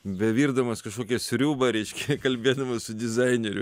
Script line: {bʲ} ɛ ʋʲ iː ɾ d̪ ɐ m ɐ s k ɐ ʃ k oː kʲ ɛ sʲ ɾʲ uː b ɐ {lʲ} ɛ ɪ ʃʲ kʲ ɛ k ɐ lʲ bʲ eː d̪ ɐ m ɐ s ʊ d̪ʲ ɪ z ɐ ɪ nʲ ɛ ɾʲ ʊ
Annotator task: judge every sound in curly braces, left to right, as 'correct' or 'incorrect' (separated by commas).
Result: correct, incorrect